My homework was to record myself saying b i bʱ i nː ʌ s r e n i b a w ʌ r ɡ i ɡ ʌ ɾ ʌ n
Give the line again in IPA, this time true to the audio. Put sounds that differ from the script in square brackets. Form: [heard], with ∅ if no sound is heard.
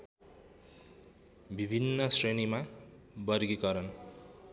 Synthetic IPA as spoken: b i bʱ i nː ʌ s r e n i [m] a [b] ʌ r ɡ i [k] ʌ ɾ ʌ n